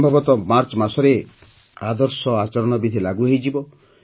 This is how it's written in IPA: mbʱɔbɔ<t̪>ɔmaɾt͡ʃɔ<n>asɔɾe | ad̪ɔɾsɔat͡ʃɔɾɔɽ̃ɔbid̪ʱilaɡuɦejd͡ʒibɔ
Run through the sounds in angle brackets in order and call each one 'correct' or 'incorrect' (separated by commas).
correct, incorrect